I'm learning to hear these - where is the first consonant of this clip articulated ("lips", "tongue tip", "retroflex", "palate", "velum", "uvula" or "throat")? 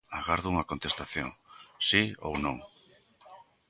velum